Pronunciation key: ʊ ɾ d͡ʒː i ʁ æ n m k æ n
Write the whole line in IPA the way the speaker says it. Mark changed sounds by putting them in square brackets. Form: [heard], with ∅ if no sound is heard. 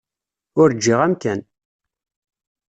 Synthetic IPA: ʊ ɾ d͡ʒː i ʁ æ [∅] m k æ n